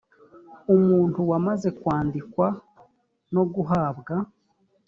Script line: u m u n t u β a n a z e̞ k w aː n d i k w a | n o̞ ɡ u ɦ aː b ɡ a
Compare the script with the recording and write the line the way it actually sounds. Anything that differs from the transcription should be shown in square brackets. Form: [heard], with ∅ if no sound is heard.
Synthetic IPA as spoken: u m [uː] n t u [w] a [m] a z e̞ k w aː n d i k w a | n o̞ ɡ u ɦ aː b ɡ a